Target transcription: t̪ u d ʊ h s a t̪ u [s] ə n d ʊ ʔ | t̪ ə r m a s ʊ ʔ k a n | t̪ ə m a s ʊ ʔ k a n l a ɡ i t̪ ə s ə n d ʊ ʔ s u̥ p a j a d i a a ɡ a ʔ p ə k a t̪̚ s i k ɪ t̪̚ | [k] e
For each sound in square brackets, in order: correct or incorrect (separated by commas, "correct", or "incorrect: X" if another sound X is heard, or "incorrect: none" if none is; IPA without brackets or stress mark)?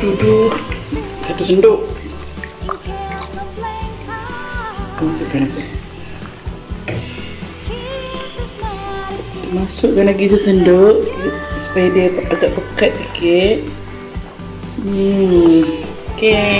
correct, correct